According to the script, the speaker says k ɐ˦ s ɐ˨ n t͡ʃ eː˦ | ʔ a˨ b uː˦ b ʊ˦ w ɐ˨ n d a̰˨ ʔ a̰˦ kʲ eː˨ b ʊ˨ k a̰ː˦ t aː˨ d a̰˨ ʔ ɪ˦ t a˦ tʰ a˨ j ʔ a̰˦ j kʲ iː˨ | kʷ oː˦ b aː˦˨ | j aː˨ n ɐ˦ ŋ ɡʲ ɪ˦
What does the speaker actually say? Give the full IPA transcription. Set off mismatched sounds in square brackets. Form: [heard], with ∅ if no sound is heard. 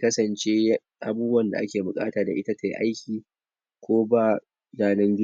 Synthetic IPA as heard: k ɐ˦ s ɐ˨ n t͡ʃ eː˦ | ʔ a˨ b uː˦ b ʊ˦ w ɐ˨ n d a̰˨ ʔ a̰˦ kʲ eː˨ b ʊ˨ [kʼ] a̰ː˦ t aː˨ d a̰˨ ʔ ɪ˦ t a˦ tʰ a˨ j ʔ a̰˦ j kʲ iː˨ | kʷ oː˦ b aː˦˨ | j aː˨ n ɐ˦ ŋ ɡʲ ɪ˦

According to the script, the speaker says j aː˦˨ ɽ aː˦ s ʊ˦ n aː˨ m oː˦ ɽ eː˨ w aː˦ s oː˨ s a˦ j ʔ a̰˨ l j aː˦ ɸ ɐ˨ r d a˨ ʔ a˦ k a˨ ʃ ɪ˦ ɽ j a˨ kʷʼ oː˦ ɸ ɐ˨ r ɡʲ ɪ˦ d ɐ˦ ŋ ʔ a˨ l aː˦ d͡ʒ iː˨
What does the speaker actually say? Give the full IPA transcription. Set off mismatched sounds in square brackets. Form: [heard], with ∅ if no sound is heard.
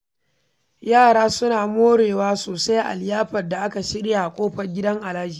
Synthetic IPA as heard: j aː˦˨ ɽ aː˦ s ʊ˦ n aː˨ m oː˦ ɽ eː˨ w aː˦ s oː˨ s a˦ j ʔ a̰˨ l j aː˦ ɸ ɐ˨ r d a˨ ʔ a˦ k a˨ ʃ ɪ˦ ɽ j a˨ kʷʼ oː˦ ɸ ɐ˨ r ɡʲ ɪ˦ d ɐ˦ ŋ ʔ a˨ l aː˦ d͡ʒ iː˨

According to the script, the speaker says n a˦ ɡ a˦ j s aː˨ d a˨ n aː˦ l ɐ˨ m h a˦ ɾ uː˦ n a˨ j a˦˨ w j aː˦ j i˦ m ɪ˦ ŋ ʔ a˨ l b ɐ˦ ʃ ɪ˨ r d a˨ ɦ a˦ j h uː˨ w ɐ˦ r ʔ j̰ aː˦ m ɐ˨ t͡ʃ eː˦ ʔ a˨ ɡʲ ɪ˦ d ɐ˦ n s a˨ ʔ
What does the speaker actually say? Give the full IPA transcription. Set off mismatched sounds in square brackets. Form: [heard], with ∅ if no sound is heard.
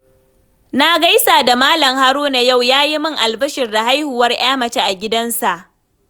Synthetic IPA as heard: n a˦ ɡ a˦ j s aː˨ d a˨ [m] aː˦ l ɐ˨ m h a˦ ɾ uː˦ n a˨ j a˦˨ w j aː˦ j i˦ m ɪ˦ ŋ ʔ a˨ l b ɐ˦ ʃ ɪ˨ r d a˨ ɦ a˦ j h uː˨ w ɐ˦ r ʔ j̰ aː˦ m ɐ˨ t͡ʃ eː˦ ʔ a˨ ɡʲ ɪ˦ d ɐ˦ n s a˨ ʔ

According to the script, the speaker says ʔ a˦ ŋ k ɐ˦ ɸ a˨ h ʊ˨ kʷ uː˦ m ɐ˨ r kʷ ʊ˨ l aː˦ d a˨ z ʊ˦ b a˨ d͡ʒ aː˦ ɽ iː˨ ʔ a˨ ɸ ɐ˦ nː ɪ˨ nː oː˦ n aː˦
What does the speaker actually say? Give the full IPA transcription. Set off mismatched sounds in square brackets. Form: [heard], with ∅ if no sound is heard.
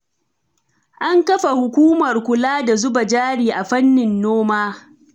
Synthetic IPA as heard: ʔ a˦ ŋ k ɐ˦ ɸ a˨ h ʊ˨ kʷ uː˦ m ɐ˨ r kʷ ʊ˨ l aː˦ d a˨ z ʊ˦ b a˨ d͡ʒ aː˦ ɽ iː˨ ʔ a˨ ɸ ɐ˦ nː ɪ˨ nː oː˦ [m] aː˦

